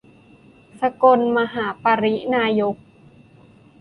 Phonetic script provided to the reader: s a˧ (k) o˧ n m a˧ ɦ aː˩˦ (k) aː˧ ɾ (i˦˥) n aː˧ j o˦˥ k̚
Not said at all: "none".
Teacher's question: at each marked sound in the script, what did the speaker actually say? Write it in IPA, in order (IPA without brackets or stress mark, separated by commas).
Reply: k, p, i˦˥